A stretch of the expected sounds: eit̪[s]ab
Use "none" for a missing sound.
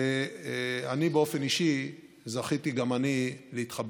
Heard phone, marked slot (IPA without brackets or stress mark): χ